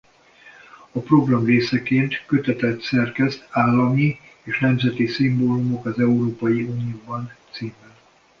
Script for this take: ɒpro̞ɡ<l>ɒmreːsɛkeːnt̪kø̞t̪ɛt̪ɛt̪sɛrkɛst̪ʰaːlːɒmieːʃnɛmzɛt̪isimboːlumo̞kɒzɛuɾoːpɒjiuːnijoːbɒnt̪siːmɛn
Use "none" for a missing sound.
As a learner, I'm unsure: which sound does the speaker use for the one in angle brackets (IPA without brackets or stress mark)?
r